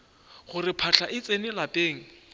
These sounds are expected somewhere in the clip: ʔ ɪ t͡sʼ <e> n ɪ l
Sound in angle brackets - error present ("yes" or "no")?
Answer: no